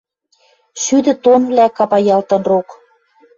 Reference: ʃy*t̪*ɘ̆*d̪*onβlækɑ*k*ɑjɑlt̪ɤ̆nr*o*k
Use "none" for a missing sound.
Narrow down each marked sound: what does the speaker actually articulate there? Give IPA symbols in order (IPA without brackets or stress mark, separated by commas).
d̪, t̪, p, o